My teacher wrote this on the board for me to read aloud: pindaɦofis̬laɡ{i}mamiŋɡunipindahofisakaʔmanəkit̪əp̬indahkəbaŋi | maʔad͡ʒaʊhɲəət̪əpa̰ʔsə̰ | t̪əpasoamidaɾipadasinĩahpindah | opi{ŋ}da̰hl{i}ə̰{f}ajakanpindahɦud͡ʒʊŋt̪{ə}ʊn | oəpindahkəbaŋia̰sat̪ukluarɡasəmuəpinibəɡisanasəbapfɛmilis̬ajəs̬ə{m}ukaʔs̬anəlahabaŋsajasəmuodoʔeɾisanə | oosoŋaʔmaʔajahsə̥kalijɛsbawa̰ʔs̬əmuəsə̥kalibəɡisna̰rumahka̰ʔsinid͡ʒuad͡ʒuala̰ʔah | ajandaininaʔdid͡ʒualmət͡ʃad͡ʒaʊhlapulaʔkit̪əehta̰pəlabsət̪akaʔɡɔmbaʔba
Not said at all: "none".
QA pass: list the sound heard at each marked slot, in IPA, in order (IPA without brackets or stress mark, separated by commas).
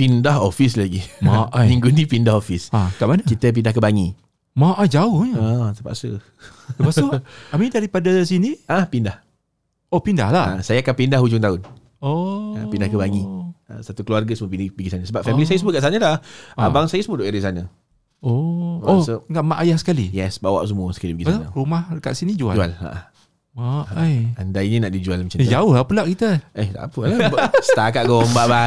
i, n, a, s, a, m